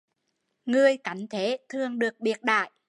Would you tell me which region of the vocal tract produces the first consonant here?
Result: velum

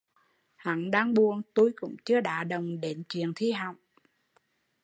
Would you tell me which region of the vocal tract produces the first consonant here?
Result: throat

